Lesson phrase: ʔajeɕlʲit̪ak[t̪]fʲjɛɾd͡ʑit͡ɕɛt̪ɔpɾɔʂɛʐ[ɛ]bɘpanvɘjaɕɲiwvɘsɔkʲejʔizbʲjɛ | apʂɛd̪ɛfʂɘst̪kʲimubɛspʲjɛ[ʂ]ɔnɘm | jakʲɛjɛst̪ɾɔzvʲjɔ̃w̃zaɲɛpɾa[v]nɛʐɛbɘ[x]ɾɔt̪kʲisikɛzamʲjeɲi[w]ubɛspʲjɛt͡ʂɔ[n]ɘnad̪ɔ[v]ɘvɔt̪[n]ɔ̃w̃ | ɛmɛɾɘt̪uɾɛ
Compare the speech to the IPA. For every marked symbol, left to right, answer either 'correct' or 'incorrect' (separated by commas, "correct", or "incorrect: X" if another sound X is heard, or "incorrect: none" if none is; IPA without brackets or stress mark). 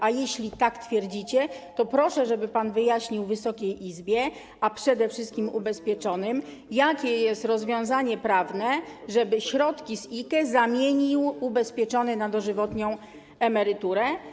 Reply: correct, correct, incorrect: t͡ʂ, correct, incorrect: ɕ, correct, correct, incorrect: ʐ, incorrect: ɲ